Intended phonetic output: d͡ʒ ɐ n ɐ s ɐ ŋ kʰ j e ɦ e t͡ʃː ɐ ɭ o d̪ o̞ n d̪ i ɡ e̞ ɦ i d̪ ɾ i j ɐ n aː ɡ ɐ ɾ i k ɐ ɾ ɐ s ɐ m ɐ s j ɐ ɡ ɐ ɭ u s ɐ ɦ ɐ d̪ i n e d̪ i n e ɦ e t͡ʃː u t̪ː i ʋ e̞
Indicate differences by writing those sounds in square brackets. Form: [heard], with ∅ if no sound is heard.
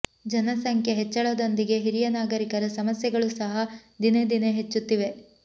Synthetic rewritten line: d͡ʒ ɐ n ɐ s ɐ ŋ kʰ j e ɦ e t͡ʃː ɐ ɭ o d̪ o̞ n d̪ i ɡ e̞ ɦ i [∅] ɾ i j ɐ n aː ɡ ɐ ɾ i k ɐ ɾ ɐ s ɐ m ɐ s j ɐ ɡ ɐ ɭ u s ɐ ɦ ɐ d̪ i n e d̪ i n e ɦ e t͡ʃː u t̪ː i ʋ e̞